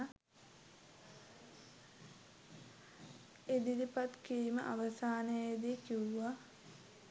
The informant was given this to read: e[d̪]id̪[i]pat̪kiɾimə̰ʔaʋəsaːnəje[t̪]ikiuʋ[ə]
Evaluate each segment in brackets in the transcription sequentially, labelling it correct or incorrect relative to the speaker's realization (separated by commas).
correct, correct, incorrect, incorrect